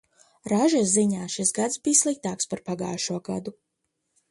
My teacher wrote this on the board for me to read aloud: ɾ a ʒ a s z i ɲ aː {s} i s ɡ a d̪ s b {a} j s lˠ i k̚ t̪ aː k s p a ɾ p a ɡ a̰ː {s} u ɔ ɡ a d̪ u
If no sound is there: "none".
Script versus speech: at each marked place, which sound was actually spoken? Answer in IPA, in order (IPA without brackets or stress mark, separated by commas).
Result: ʃ, i, ʃ